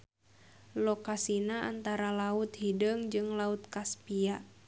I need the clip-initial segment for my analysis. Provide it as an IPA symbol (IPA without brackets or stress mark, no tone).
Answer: l